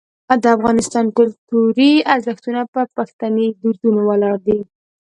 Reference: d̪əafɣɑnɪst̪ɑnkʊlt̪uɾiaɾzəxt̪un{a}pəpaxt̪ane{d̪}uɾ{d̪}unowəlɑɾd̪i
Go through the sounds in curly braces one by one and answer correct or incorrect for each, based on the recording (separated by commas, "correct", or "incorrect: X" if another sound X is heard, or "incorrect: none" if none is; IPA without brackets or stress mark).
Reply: correct, correct, correct